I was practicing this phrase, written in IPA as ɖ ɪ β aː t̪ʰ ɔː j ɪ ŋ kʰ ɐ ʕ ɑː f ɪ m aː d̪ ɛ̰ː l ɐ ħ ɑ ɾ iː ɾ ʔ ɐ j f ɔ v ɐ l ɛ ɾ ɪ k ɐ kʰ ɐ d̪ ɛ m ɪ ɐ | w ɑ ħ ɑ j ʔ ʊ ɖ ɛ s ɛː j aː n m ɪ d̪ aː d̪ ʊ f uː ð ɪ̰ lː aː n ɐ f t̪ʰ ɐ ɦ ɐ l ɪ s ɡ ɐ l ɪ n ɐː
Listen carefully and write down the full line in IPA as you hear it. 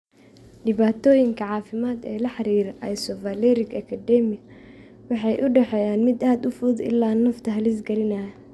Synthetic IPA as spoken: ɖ ɪ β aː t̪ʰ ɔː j ɪ ŋ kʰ ɐ ʕ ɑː f ɪ m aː d̪ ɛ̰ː l ɐ ħ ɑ ɾ iː ɾ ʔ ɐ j s ɔ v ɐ l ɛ ɾ ɪ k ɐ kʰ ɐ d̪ ɛ m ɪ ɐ | w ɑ ħ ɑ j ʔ ʊ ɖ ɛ ħ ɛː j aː n m ɪ d̪ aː d̪ ʊ f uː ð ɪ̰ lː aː n ɐ f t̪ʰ ɐ ɦ ɐ l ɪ s ɡ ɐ l ɪ n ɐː